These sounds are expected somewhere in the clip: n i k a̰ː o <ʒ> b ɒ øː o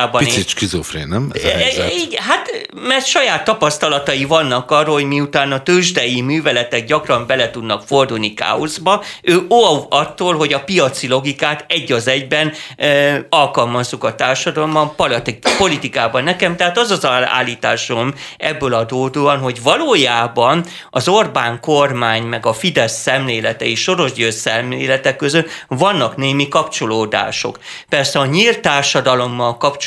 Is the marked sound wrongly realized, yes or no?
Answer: yes